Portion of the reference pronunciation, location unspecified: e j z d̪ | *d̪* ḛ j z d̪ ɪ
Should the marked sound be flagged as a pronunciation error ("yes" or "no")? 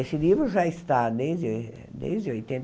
no